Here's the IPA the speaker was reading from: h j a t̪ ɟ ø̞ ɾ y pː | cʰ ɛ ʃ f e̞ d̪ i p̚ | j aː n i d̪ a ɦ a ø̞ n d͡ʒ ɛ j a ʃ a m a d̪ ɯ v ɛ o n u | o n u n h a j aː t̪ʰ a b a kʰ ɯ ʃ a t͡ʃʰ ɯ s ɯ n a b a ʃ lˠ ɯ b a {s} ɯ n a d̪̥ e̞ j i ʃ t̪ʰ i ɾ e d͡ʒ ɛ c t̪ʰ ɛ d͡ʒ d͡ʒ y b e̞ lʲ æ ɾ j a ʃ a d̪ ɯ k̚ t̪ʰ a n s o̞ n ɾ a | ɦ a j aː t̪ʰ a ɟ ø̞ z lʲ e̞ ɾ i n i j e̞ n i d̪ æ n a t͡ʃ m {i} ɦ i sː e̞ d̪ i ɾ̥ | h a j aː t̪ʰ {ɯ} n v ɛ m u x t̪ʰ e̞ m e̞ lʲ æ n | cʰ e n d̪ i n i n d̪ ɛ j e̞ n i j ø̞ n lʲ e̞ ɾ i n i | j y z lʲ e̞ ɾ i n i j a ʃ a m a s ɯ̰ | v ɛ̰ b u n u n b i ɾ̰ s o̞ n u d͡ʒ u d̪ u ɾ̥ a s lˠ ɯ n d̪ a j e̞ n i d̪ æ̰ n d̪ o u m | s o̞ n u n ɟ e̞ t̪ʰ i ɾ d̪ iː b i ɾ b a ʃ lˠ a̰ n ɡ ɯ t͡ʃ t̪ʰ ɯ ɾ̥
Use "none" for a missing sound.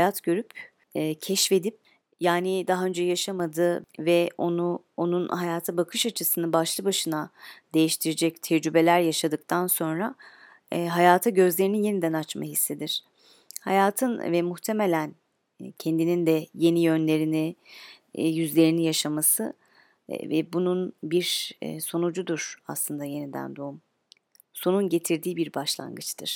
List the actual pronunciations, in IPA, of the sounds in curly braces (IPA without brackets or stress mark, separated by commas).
ʃ, a, ɯ